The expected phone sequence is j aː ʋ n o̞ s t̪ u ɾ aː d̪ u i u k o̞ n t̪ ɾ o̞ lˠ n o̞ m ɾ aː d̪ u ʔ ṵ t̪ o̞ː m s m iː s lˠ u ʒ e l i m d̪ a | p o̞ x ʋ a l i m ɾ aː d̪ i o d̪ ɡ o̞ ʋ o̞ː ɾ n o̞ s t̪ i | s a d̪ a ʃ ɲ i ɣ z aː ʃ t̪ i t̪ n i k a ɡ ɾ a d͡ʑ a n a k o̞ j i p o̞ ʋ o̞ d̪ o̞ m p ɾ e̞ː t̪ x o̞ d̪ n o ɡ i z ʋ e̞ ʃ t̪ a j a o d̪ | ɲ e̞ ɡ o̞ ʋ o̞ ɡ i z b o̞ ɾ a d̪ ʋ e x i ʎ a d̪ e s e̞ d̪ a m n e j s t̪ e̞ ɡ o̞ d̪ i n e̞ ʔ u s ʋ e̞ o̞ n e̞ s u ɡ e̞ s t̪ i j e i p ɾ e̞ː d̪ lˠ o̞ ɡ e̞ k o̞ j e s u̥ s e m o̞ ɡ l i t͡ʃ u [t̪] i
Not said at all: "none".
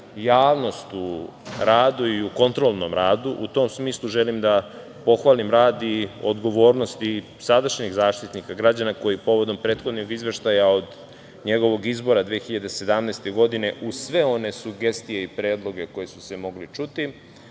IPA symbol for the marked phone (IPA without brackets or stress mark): t̪